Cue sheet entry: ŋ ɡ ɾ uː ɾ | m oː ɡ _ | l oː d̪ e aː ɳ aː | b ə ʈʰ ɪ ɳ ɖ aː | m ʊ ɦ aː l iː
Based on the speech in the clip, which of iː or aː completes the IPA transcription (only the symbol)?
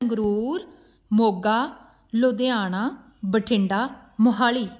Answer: aː